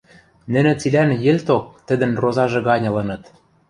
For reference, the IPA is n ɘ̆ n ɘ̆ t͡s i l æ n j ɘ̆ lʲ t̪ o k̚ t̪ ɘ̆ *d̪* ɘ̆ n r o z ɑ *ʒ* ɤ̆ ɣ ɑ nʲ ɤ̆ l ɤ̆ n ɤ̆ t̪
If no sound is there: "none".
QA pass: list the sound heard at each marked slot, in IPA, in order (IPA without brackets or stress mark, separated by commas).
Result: d̪, ʒ